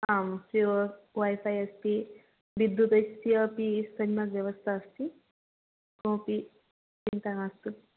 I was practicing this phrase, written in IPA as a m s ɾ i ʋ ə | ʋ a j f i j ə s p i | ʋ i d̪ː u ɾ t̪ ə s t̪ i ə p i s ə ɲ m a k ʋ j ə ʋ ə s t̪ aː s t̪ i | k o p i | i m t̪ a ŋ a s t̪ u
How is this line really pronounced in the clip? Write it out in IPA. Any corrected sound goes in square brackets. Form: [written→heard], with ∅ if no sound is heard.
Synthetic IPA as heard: a m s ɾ i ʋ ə | ʋ a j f [i→a] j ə s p i | ʋ i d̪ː u [ɾ→∅] t̪ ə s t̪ i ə p i s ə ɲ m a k ʋ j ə ʋ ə s [t̪→t̪ʰ] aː s t̪ i | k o p i | i [m→n] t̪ a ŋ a s t̪ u